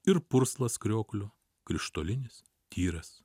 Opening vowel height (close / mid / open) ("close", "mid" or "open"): close